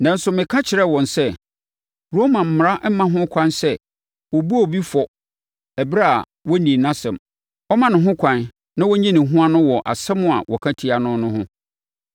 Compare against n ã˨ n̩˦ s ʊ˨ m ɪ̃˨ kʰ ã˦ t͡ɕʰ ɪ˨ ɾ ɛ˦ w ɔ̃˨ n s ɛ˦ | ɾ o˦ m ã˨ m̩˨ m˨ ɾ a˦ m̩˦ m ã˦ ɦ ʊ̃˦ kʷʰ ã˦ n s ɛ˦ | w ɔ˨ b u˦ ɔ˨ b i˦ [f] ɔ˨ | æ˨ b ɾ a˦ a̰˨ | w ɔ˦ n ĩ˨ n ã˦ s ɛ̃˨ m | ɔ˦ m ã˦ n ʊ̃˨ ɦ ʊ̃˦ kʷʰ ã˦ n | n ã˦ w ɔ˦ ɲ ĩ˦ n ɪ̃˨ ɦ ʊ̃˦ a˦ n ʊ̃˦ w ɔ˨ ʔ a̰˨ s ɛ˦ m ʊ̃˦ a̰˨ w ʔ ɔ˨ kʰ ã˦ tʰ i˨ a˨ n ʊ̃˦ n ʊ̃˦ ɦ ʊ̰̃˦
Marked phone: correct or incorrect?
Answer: correct